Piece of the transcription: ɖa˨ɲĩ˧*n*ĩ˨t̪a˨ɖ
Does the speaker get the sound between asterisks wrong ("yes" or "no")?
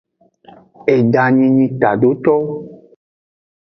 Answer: yes